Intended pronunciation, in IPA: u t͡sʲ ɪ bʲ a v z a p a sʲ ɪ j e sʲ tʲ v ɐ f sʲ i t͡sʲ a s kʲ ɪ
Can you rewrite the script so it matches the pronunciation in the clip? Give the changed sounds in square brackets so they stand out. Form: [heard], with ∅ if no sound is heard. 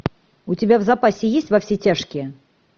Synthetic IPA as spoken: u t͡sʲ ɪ bʲ a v z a p a sʲ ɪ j e sʲ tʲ v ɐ f sʲ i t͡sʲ a [ʂ] kʲ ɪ